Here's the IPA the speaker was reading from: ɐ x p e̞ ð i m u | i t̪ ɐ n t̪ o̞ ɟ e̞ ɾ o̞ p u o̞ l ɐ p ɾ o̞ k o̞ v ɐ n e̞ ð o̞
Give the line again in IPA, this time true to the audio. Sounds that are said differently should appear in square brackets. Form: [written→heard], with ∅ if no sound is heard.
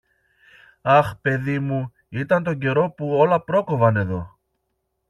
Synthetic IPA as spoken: ɐ x p e̞ ð i m u | i t̪ ɐ n t̪ o̞ ɟ e̞ ɾ o̞ p u o̞ l ɐ p ɾ o̞ k o̞ v ɐ n e̞ ð o̞